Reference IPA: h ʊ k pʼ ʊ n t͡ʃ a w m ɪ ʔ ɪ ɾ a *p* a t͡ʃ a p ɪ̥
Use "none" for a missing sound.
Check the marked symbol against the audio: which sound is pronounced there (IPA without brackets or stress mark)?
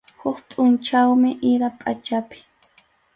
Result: pʼ